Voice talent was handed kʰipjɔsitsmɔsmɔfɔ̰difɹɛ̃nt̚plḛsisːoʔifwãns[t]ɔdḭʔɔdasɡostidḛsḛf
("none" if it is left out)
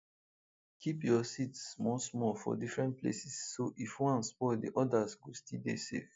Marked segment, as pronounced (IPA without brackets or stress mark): p